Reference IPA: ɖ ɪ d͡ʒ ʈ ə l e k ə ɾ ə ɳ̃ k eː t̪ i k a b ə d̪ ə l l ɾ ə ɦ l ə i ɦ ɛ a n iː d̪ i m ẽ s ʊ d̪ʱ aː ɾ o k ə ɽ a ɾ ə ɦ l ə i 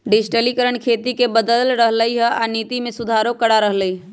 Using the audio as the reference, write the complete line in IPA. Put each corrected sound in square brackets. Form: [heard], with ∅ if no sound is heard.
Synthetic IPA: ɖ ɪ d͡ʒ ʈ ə l [i] k ə ɾ ə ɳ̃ [kʰ] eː t̪ i k [e] b ə d̪ ə l l ɾ ə ɦ l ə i ɦ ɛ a n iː [t̪] i m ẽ s ʊ d̪ʱ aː ɾ o k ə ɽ a ɾ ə ɦ l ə i